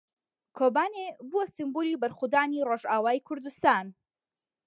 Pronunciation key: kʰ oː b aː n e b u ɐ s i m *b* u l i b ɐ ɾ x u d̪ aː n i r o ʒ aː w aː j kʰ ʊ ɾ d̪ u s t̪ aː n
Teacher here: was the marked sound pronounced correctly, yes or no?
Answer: yes